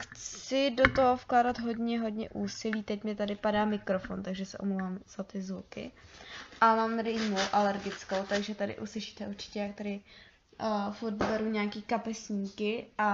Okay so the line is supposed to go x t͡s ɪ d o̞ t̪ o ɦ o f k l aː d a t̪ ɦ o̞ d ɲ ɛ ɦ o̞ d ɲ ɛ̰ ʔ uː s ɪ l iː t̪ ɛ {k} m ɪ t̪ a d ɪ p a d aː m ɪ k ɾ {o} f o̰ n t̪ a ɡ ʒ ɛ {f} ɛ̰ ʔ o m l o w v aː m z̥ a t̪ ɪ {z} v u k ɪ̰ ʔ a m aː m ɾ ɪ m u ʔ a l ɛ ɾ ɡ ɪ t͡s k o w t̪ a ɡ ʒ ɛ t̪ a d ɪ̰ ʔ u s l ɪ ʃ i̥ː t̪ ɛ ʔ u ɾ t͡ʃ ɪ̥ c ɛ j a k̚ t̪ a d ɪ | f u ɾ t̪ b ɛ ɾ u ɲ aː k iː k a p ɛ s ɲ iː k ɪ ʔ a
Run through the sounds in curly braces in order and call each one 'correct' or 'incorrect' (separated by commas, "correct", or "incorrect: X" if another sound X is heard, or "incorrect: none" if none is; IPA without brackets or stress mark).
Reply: incorrect: c, correct, incorrect: s, correct